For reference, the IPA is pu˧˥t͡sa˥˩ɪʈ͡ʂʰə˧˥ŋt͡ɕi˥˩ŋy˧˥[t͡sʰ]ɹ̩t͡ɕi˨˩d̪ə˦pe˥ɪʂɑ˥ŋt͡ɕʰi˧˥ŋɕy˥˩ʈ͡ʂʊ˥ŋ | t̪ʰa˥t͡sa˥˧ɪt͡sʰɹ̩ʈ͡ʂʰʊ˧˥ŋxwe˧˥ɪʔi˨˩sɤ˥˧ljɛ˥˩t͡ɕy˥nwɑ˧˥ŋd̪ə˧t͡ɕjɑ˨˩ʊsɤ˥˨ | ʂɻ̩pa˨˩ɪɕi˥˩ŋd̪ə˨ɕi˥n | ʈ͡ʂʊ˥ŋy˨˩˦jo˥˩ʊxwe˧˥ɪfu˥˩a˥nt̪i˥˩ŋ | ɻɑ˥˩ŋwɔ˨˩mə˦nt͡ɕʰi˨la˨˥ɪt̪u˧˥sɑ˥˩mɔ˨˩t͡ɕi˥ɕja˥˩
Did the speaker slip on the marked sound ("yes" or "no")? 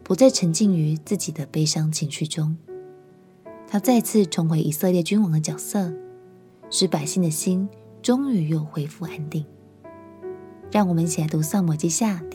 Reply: yes